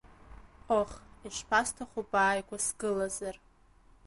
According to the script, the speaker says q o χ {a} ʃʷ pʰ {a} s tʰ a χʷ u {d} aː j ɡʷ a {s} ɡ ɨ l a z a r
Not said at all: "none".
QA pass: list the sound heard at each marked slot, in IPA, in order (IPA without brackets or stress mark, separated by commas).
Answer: i, a, b, s